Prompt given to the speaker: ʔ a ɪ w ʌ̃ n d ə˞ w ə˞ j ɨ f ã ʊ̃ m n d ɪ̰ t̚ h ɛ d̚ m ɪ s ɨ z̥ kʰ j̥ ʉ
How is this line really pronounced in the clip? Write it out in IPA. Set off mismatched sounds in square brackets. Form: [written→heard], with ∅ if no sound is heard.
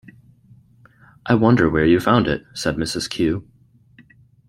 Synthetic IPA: ʔ a ɪ w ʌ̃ n d ə˞ w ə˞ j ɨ f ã ʊ̃ [m→∅] n d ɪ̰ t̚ [h→s] ɛ d̚ m ɪ s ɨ z̥ kʰ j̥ ʉ

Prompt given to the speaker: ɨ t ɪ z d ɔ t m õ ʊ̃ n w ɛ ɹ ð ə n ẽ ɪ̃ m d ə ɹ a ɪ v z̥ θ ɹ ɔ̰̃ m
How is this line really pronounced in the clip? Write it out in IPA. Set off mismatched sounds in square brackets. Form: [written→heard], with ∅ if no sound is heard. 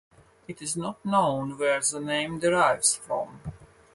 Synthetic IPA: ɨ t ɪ z [d→n] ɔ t [m→n] õ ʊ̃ n w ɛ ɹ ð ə n ẽ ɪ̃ m d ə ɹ a ɪ v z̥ [θ→f] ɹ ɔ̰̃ m

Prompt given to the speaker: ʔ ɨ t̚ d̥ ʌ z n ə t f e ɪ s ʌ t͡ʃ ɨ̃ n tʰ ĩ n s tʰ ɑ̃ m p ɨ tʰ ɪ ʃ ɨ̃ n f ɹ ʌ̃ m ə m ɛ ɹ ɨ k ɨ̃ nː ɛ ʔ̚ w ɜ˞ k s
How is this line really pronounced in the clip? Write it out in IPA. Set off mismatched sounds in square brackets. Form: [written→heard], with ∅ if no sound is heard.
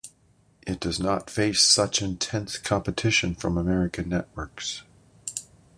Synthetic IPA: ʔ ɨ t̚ d̥ ʌ z n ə t f e ɪ s ʌ t͡ʃ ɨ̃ n tʰ [ĩ→ɛ̃] n s [tʰ→kʰ] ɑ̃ m p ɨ tʰ ɪ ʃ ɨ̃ n f ɹ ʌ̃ m ə m ɛ ɹ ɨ k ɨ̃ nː ɛ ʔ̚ w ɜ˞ k s

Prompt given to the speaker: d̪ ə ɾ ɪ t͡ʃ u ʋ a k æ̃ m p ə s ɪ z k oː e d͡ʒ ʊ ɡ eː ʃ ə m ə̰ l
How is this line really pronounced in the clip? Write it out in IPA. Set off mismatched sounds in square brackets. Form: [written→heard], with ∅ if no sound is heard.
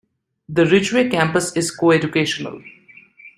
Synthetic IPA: d̪ ə ɾ ɪ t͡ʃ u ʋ [a→e] k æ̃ m p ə s ɪ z k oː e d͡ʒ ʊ [ɡ→k] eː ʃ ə [m→n] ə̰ l

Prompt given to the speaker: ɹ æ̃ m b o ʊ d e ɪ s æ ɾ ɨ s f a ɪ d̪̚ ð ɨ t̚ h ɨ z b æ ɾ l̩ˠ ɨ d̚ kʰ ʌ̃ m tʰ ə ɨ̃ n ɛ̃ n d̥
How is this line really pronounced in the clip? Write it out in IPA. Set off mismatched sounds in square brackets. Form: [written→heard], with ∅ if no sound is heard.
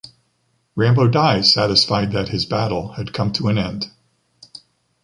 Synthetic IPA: ɹ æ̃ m b o ʊ d [e→a] ɪ s æ ɾ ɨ s f a ɪ d̪̚ ð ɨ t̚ h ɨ z b æ ɾ l̩ˠ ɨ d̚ kʰ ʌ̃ m tʰ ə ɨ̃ n ɛ̃ n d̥

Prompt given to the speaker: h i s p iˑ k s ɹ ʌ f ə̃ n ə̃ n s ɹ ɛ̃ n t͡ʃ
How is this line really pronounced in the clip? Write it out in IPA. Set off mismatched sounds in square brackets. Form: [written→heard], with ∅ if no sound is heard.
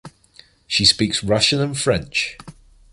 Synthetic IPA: [h→ʃ] i s p iˑ k s ɹ ʌ [f→ʃ] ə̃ n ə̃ n [s→f] ɹ ɛ̃ n t͡ʃ

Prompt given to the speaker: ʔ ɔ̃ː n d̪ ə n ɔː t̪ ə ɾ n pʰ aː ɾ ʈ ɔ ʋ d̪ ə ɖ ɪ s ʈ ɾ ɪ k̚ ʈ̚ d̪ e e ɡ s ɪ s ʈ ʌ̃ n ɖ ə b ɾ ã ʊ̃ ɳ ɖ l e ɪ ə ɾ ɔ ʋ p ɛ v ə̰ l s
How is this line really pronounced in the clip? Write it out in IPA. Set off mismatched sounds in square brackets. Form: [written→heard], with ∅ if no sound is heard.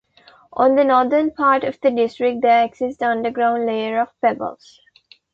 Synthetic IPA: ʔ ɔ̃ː n d̪ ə n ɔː [t̪→d̪] ə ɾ n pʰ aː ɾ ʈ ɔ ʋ d̪ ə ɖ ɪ s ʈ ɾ ɪ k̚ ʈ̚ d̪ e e ɡ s ɪ s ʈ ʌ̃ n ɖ ə [b→ɡ] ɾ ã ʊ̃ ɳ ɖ l e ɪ ə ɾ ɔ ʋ p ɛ [v→b] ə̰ l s

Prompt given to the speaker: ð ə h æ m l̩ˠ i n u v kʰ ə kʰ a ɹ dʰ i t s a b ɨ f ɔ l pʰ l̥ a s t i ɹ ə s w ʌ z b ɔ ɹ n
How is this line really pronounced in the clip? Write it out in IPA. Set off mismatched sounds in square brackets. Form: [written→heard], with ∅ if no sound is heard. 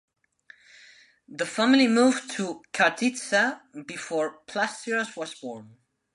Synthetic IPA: ð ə [h→f] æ m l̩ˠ i [n→m] u v [kʰ→tʰ] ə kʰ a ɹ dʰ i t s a b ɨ f ɔ [l→ɹ] pʰ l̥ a s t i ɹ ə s w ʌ z b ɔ ɹ n

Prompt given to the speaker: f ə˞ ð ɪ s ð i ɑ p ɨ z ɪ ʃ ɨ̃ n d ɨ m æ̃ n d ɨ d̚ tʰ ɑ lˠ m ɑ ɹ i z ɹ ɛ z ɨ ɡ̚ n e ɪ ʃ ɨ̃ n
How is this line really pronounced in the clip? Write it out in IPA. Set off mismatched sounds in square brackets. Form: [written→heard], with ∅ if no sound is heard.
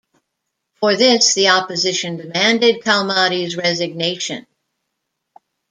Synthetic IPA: f ə˞ ð ɪ s ð i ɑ p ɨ z ɪ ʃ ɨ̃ n d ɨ m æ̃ n d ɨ d̚ [tʰ→kʰ] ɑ lˠ m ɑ [ɹ→ɾ] i z ɹ ɛ z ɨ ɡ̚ n e ɪ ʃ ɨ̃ n

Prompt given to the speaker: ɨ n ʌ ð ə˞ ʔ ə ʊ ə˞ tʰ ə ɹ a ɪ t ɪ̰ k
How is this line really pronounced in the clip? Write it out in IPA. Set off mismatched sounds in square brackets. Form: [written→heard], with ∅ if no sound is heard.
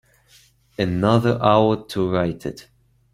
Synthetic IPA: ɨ n ʌ ð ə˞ ʔ [ə→a] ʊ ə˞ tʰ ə ɹ a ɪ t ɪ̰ [k→t]

